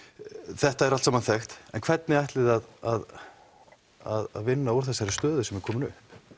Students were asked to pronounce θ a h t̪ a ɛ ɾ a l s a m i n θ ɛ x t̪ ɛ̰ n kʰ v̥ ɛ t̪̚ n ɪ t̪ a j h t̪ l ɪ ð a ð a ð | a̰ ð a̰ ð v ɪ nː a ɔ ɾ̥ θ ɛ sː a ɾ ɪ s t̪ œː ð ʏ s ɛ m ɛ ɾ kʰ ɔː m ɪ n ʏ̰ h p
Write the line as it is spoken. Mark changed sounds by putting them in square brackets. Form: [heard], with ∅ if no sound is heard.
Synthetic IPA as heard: θ [ɛ] h t̪ a ɛ ɾ a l s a m [a] n θ ɛ x t̪ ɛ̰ n kʰ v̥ ɛ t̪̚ n ɪ [∅] a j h t̪ l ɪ ð a ð a ð | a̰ ð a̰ ð v ɪ nː a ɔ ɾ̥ θ ɛ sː a ɾ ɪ s t̪ œː ð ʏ s ɛ m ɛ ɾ kʰ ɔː m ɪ n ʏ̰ h p